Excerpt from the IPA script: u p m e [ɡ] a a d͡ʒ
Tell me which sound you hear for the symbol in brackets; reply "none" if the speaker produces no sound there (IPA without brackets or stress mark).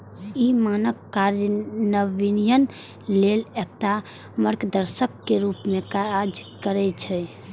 k